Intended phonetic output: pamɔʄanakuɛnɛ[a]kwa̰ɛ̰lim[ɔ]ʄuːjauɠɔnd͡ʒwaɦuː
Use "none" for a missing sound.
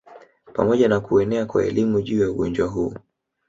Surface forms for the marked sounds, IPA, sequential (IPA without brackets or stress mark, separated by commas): a, u